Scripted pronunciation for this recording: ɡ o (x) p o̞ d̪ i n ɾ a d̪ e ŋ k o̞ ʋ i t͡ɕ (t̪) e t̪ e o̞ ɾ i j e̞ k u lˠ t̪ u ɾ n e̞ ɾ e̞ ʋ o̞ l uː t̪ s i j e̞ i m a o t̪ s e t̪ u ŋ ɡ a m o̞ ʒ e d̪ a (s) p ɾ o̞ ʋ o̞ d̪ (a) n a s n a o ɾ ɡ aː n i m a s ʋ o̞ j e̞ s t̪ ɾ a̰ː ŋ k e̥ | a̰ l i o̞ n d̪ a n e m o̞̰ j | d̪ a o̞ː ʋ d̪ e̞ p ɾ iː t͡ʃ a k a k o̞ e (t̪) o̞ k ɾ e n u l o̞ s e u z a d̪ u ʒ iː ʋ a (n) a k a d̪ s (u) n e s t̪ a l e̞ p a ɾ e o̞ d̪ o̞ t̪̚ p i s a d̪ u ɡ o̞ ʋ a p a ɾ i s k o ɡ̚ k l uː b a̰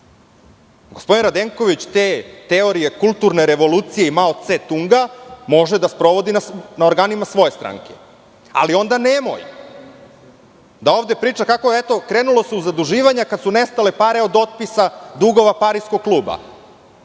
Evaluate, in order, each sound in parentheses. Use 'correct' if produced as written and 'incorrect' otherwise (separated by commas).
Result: incorrect, correct, correct, incorrect, correct, incorrect, correct